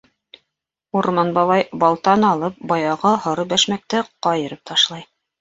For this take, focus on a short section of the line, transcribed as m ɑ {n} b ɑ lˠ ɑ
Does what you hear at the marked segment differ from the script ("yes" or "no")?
no